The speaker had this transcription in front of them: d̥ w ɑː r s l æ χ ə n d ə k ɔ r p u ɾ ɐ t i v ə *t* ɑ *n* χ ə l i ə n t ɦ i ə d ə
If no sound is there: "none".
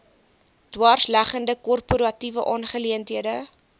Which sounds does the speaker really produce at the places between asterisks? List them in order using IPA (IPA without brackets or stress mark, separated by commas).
ʔ, n